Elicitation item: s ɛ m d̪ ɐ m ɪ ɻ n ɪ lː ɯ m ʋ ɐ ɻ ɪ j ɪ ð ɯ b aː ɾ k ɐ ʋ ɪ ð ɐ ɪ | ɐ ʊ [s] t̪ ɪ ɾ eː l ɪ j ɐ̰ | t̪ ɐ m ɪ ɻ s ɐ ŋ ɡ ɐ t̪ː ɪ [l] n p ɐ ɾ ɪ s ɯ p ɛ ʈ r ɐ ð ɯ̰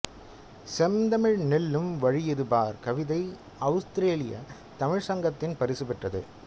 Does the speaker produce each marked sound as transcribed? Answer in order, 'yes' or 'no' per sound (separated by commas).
yes, no